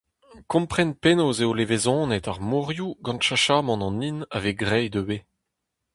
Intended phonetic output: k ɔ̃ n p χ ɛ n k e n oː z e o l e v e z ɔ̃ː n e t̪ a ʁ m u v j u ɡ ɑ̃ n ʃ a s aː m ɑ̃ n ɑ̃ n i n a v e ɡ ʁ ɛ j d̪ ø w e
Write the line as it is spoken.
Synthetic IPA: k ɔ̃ m p χ ɛ n p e n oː z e o l e v e z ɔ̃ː n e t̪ a ʁ m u ʁ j u ɡ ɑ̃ n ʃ a ʃ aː m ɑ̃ n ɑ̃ n i n a v e ɡ ʁ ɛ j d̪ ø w e